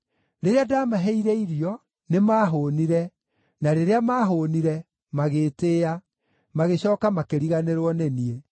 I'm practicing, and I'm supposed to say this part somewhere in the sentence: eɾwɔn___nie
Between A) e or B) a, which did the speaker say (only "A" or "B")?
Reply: A